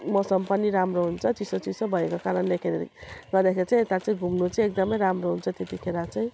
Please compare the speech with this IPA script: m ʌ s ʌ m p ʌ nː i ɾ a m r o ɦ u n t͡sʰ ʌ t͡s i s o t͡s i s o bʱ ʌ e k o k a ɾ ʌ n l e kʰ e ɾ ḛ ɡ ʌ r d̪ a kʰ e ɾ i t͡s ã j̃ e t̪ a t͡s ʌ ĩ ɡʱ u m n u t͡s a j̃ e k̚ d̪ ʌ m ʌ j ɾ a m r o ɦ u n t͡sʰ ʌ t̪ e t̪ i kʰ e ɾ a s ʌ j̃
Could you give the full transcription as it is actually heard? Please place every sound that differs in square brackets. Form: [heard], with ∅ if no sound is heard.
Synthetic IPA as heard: m ʌ s ʌ m p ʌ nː i ɾ a m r o ɦ u n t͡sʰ ʌ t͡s i s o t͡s i s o bʱ ʌ e k o k a ɾ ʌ n l e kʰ e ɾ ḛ ɡ ʌ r d̪ a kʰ e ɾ i t͡s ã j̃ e t̪ a t͡s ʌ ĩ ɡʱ u m n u t͡s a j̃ e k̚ d̪ ʌ m ʌ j ɾ a m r o ɦ u n t͡sʰ ʌ t̪ e t̪ i kʰ e ɾ a [t͡s] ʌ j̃

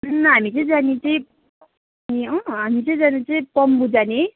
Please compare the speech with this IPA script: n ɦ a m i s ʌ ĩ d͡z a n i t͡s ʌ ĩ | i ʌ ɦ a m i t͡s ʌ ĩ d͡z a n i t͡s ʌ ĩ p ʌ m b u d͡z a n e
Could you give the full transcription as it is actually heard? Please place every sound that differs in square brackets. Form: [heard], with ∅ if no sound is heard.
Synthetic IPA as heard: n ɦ a m i [t͡s] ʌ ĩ d͡z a n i t͡s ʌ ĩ | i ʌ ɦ a m i t͡s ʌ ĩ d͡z a n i t͡s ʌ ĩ p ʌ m b u d͡z a n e

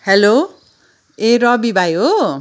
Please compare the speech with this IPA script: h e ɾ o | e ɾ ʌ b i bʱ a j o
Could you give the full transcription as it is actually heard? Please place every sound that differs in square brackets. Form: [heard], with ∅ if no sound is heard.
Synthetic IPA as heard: h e [l] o | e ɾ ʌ b i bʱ a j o

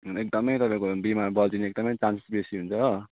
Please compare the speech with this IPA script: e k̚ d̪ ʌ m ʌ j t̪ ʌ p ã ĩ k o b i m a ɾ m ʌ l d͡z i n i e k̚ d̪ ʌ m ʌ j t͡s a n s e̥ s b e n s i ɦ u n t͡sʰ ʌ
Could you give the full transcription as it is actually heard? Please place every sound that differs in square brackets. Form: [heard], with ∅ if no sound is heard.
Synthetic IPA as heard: e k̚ d̪ ʌ m ʌ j t̪ ʌ p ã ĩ k o b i m a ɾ [b] ʌ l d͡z i n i e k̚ d̪ ʌ m ʌ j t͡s a n s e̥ s b e [∅] s i ɦ u n t͡sʰ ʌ

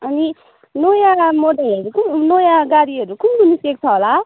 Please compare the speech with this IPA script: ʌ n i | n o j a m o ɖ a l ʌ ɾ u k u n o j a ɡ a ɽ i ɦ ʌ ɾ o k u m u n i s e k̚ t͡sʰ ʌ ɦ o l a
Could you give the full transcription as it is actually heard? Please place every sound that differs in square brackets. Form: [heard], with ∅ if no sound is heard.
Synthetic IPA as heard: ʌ n i | n o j a m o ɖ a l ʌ ɾ u k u n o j a ɡ a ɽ i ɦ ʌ ɾ [u] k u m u n i s e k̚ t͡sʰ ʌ ɦ o l a

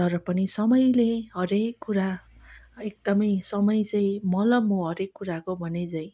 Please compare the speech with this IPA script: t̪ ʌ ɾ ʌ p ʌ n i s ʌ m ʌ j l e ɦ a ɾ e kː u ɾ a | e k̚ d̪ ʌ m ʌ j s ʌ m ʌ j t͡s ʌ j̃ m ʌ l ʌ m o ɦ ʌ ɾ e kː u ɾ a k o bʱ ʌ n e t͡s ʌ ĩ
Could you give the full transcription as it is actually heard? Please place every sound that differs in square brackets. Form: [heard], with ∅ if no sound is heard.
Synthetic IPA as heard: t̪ ʌ ɾ ʌ p ʌ n i s ʌ m ʌ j l e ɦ [ʌ] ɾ e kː u ɾ a | e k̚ d̪ ʌ m ʌ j s ʌ m ʌ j t͡s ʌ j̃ m ʌ l ʌ m o ɦ ʌ ɾ e kː u ɾ a k o bʱ ʌ n e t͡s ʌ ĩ

